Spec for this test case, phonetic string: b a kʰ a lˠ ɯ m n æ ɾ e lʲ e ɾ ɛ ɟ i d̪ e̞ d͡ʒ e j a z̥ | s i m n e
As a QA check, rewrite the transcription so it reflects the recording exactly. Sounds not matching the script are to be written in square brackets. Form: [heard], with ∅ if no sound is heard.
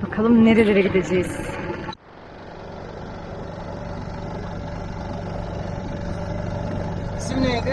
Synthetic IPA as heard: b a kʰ a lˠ ɯ m n [e] ɾ e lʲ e ɾ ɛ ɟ i d̪ e̞ d͡ʒ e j [i] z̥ | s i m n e